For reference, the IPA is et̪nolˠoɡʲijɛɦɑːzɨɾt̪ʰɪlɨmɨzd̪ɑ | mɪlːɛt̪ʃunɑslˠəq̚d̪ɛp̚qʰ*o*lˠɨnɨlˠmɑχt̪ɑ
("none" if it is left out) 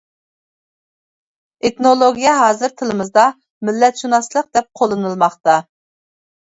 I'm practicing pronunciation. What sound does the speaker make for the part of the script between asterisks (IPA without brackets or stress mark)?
o